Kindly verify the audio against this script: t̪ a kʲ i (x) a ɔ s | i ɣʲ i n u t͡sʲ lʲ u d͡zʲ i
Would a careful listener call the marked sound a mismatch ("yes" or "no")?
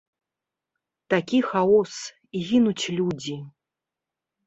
no